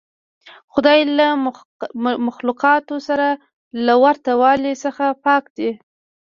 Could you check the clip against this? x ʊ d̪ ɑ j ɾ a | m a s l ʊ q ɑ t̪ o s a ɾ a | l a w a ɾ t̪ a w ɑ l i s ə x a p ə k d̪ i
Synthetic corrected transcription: x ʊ d̪ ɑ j l a | m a x l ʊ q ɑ t̪ o s a ɾ a | l a w a ɾ t̪ a w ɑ l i s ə x a p ɑ k d̪ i

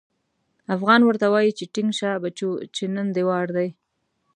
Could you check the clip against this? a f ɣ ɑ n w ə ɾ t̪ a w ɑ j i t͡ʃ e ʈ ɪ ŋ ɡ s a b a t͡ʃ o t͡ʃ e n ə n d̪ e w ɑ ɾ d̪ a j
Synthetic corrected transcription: a f ɣ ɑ n w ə ɾ t̪ a w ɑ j i t͡ʃ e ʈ ɪ ŋ ɡ ʃ a b a t͡ʃ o t͡ʃ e n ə n d̪ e w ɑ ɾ d̪ a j

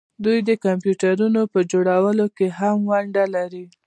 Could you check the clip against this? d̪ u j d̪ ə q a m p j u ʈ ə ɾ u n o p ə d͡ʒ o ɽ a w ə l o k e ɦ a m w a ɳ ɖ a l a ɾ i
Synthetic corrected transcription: d̪ u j d̪ ə k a m p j u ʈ a ɾ u n o p ə d͡ʒ o ɽ a w ə l o k e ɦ a m w a ɳ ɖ a l a ɾ i

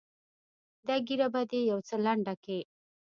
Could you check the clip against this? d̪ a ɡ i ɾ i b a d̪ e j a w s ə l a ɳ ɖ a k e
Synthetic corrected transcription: d̪ a ɡ i ɾ a b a d̪ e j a w t͡s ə l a ɳ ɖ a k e

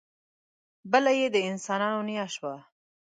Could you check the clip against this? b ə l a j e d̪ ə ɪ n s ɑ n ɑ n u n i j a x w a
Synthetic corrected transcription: b ə l a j e d̪ ə ɪ n s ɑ n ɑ n o n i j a ʃ w a

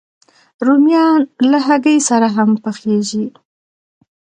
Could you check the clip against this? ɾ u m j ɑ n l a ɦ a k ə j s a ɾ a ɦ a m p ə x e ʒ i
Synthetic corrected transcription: ɾ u m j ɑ n l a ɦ a ɡ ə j s a ɾ a ɦ a m p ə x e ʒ i

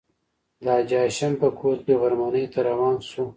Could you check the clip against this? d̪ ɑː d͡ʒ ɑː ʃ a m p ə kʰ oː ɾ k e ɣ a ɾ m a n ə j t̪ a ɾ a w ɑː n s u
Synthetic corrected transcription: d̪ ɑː d͡ʒ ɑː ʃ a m p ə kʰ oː ɾ k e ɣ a ɾ m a n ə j t̪ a ɾ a w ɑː n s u

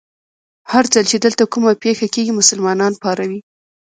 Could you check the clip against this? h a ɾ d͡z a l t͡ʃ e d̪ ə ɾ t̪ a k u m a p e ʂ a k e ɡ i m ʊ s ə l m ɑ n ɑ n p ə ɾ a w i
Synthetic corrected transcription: h a ɾ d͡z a l t͡ʃ e d̪ ə l t̪ a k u m a p e x a k e ɡ i m ʊ s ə l m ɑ n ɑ n p ɑ ɾ a w i

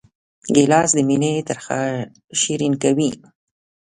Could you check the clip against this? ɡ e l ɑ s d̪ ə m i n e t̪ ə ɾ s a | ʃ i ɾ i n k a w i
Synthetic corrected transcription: ɡ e l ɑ s d̪ ə m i n e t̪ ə ɾ x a | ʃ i ɾ i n k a w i

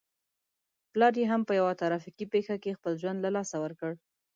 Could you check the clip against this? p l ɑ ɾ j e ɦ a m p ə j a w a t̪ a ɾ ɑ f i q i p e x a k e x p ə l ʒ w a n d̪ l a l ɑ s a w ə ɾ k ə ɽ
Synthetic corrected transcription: p l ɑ ɾ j e ɦ a m p ə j a w a t̪ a ɾ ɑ f i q i p e x a k e x p ə l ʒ w a n d̪ l a l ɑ s a w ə ɾ k ə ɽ

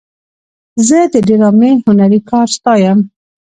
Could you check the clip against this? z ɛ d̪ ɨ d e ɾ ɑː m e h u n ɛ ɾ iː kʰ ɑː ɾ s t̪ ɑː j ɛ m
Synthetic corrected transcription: z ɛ d̪ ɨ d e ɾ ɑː m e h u n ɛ ɾ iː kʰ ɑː ɾ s t̪ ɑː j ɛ m

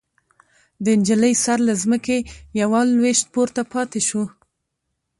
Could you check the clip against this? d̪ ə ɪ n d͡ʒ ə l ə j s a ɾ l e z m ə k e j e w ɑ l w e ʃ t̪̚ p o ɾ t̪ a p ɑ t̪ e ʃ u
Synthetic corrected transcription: d̪ ə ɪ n d͡ʒ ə l ə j s a ɾ l a z m ə k e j a w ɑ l w e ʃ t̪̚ p o ɾ t̪ a p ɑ t̪ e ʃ u

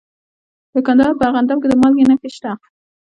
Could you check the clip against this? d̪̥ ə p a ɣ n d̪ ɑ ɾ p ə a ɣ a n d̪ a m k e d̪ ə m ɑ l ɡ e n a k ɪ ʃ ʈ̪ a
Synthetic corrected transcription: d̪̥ ə k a n d̪ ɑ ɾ p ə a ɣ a n d̪ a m k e d̪ ə m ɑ l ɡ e n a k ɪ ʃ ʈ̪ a

